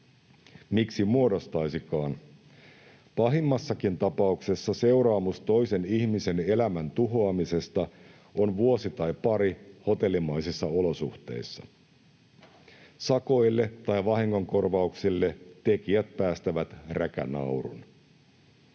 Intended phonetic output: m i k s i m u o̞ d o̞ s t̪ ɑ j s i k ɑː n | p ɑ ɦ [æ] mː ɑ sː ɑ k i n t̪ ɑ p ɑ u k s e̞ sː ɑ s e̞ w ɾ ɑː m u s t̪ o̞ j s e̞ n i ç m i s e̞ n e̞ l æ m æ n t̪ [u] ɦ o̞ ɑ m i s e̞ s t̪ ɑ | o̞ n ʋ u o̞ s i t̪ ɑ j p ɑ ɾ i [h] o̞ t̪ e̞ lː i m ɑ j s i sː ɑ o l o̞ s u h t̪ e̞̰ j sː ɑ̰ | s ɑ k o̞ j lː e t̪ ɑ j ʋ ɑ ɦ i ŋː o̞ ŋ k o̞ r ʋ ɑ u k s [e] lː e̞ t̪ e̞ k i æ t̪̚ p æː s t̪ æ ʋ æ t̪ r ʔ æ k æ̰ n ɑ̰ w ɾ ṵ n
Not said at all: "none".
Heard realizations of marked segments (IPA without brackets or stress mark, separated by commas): i, u, h, i